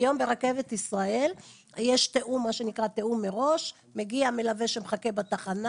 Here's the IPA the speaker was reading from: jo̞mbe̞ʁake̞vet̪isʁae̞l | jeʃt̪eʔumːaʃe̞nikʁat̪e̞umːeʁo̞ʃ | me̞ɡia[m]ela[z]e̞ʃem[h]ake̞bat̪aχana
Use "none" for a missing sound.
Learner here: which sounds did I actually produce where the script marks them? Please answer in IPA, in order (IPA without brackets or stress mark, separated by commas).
m, v, χ